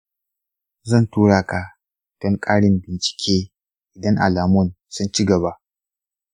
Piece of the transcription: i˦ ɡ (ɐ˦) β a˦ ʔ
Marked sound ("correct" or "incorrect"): incorrect